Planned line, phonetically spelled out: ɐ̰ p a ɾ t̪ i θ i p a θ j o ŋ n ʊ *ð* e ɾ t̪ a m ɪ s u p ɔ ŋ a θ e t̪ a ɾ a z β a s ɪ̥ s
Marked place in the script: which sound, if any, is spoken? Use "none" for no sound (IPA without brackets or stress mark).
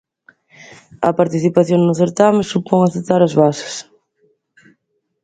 θ